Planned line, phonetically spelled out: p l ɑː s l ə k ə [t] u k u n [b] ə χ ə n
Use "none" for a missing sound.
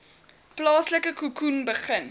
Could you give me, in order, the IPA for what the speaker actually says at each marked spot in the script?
k, b

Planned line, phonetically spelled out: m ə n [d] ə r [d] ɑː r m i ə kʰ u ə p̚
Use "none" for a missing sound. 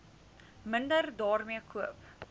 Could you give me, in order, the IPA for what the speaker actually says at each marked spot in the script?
d, d

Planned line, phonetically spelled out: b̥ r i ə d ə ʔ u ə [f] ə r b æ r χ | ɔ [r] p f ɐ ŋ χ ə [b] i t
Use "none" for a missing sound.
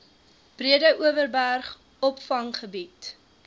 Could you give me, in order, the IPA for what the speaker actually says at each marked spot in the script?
v, none, b

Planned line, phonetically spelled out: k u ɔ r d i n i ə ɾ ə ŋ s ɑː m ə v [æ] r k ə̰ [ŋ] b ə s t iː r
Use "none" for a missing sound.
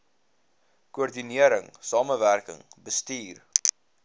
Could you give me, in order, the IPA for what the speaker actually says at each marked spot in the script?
æ, ŋ

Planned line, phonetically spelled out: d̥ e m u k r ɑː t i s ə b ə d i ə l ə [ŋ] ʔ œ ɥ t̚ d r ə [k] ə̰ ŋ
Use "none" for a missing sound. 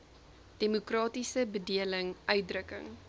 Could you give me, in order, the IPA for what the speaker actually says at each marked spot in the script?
ŋ, k

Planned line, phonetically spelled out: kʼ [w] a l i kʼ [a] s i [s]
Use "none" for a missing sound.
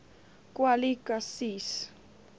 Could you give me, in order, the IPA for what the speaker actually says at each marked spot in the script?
w, a, s

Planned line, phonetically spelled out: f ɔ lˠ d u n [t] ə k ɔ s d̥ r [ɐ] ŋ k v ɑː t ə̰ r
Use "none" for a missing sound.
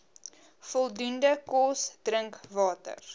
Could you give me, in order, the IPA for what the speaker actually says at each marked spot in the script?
d, ə

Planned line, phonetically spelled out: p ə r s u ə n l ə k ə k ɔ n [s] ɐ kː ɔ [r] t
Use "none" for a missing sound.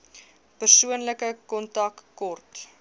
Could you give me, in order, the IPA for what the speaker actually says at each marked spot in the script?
t, r

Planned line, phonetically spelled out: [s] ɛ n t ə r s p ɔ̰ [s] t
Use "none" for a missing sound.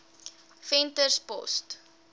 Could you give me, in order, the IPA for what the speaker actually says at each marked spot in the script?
f, s

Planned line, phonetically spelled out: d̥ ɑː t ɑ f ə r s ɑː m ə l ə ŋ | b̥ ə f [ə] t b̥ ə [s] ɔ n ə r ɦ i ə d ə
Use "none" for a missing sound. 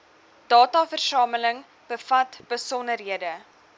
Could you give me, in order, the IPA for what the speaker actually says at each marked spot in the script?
ɐ, s

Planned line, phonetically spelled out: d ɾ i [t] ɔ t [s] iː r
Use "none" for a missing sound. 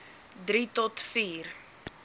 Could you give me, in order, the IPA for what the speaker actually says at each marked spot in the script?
t, f

